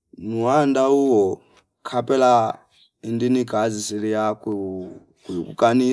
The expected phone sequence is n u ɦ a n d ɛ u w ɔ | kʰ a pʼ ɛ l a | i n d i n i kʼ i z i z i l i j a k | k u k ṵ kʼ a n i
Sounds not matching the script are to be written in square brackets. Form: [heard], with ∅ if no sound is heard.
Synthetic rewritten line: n u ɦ a n d [a] u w ɔ | kʰ a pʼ ɛ l a | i n d i n i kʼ [a] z i [s] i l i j a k | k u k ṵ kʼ a n i